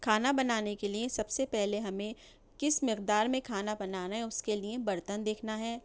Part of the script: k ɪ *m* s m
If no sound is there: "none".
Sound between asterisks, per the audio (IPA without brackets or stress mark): none